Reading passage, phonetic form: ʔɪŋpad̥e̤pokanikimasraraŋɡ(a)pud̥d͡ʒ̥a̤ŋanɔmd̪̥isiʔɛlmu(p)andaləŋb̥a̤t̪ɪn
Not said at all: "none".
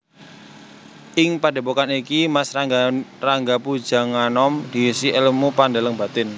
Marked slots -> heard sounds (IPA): a, p

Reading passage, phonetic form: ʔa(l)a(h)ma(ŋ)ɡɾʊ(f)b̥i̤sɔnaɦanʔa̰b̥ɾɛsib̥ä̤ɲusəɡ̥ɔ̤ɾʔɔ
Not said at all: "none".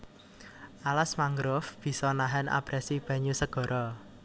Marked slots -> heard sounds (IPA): l, s, ŋ, f

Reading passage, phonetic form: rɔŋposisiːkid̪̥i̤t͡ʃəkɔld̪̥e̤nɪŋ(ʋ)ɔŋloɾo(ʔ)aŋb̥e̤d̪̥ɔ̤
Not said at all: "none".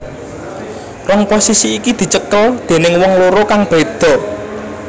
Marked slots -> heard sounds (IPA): w, k

